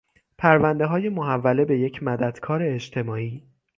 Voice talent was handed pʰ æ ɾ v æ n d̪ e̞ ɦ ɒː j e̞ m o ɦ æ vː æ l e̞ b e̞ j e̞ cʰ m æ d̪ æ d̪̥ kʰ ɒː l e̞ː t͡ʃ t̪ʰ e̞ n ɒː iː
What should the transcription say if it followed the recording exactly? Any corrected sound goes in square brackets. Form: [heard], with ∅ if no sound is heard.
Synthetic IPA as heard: pʰ æ ɾ v æ n d̪ e̞ ɦ ɒː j e̞ m o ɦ æ vː æ l e̞ b e̞ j e̞ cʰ m æ d̪ æ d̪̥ kʰ ɒː [ɾ] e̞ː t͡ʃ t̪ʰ e̞ [m] ɒː iː